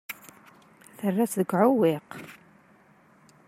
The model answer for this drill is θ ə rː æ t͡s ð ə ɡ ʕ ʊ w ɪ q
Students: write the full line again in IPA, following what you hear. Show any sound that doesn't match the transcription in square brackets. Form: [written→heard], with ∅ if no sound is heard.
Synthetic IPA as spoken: θ ə rː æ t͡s ð ə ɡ ʕ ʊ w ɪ q